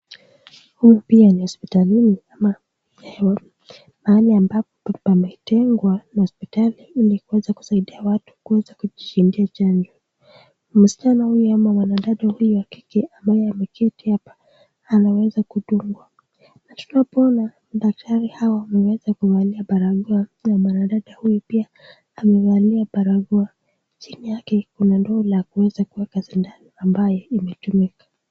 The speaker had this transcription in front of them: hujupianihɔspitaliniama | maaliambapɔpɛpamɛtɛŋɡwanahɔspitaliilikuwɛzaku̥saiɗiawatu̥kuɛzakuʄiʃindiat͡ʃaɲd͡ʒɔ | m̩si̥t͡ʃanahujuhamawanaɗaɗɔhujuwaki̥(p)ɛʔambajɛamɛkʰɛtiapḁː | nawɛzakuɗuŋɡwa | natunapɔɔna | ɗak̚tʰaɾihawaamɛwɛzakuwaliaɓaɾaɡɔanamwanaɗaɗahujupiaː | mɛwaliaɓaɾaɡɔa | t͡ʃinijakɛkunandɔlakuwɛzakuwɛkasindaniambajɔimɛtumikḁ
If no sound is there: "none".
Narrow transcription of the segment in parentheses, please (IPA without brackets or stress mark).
k